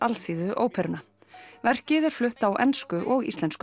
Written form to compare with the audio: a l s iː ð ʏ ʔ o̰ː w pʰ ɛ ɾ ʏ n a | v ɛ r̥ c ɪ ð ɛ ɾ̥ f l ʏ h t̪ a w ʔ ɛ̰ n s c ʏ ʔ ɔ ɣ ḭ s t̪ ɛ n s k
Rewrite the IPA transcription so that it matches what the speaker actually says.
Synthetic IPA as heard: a l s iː ð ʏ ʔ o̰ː w pʰ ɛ ɾ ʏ n a | v ɛ r̥ c ɪ ð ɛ ɾ̥ f l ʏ h t̪ a w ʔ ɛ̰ n s k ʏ ʔ ɔ ɣ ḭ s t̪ ɛ n s k

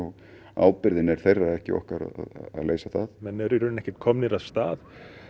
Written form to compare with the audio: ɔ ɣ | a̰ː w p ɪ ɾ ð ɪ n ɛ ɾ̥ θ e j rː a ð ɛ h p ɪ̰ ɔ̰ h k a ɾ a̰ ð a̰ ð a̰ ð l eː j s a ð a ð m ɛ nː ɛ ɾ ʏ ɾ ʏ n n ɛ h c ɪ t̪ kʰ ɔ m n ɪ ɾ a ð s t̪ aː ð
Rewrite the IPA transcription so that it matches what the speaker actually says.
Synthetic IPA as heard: ɔ ɣ | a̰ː w p ɪ ɾ ð ɪ n ɛ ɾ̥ θ e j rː a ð ɛ h c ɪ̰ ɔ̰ h k a ɾ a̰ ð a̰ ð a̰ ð l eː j s a θ a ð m ɛ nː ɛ ɾ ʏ ɾ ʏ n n ɛ h c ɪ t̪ kʰ ɔ m n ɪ ɾ a ð s t̪ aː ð

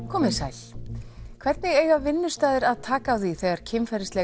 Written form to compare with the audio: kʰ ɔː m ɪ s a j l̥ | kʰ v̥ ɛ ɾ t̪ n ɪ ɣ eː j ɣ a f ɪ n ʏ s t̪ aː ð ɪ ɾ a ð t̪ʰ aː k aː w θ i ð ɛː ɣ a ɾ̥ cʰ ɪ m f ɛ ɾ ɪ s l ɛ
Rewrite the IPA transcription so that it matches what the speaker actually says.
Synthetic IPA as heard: kʰ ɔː m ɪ s a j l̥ | kʰ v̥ ɛ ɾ t̪ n ɪ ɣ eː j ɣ a v ɪ nː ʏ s t̪ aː ð ɪ ɾ a ð t̪ʰ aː k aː w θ i θ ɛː ɣ a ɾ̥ cʰ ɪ m f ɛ ɾ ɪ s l ɛ

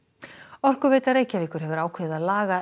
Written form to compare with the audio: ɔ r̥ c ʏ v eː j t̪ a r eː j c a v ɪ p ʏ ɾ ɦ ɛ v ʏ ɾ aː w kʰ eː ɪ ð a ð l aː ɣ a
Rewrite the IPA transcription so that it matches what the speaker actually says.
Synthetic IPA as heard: ɔ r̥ k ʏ v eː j t̪ a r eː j c a v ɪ k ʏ ɾ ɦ ɛ v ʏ ɾ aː w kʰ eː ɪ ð a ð l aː ɣ a

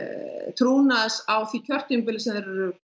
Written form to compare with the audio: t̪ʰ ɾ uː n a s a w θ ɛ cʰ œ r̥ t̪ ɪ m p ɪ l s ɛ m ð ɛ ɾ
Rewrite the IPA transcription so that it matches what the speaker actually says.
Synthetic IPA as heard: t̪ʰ ɾ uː n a s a w θ i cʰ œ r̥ t̪ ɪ m p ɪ l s ɛ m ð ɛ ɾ

